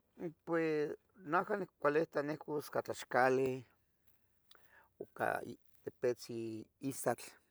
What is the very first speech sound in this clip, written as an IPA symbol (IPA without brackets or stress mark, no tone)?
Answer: p